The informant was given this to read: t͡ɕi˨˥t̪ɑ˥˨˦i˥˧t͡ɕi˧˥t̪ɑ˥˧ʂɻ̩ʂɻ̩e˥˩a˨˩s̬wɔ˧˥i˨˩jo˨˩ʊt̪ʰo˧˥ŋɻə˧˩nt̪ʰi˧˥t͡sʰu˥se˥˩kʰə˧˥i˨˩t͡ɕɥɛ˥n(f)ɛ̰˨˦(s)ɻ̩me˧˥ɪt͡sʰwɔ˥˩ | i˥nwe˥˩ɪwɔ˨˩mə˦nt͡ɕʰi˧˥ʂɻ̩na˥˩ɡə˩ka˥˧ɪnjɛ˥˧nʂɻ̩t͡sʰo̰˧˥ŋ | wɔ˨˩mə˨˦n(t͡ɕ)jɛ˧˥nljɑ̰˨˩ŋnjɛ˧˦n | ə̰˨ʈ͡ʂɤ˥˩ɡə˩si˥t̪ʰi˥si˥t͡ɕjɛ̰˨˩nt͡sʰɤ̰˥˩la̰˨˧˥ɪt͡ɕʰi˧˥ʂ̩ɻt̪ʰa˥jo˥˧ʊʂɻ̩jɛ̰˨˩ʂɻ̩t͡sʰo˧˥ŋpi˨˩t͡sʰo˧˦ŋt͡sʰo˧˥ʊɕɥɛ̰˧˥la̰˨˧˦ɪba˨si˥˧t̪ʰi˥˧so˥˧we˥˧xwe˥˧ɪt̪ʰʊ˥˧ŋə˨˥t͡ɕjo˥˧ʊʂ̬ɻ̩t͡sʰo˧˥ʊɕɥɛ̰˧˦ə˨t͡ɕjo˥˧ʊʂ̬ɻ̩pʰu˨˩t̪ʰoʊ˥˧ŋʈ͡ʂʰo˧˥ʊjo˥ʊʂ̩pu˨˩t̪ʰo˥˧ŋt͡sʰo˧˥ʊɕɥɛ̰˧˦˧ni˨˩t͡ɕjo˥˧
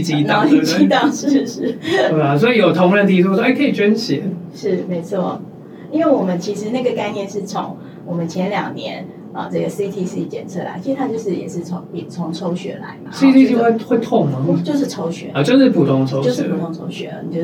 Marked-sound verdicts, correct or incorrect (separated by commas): incorrect, incorrect, incorrect